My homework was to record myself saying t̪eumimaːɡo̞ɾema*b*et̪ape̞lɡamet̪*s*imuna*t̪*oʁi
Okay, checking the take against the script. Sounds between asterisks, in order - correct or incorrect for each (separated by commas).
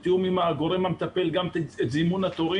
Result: incorrect, incorrect, correct